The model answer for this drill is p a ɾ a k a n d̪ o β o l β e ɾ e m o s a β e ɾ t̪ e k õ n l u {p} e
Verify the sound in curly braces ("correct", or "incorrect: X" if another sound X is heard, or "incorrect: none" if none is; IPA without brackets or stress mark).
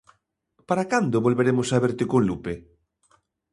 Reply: correct